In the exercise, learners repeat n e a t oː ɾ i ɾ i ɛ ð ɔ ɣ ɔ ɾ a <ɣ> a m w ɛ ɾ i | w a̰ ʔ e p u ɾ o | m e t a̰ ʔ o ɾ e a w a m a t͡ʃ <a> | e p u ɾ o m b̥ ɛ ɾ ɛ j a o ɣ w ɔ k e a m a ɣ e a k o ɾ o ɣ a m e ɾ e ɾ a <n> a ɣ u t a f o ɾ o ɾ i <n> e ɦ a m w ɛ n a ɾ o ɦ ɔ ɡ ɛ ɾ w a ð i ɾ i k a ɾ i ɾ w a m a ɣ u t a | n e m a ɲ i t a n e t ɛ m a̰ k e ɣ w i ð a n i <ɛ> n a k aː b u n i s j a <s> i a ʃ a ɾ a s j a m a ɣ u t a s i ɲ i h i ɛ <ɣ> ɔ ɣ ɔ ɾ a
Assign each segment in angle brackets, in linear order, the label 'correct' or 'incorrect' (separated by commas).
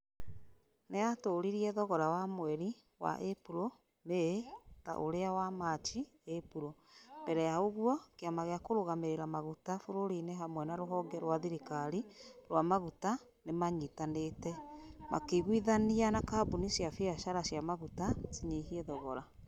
incorrect, incorrect, incorrect, correct, incorrect, incorrect, incorrect